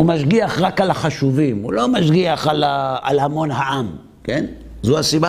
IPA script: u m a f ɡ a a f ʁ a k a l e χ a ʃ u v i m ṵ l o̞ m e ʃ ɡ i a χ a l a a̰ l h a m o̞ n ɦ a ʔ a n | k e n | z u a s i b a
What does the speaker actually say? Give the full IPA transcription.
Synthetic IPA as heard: u m a ʃ ɡ i a χ ʁ a k a l a χ a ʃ u v i m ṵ l o̞ m a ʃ ɡ i a χ a l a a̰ l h a m o̞ n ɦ a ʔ a m | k e n | z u a s i b a